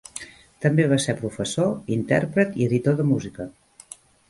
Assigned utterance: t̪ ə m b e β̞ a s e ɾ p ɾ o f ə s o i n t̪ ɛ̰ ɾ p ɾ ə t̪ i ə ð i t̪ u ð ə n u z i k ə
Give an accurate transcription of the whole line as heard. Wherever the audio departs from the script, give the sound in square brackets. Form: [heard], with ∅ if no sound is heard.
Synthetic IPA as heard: t̪ ə m b e β̞ a s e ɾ p ɾ [u] f ə s o i n t̪ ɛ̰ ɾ p ɾ ə t̪ i ə ð i t̪ [o] ð ə [m] u z i k ə